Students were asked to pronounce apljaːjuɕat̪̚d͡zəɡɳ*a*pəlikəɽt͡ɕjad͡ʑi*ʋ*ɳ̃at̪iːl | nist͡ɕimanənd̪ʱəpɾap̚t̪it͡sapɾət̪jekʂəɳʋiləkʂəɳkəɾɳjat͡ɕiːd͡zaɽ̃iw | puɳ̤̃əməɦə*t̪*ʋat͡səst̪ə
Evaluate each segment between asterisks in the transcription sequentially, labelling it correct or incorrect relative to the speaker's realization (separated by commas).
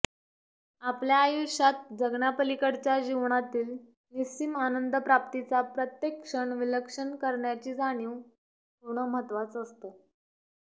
correct, correct, correct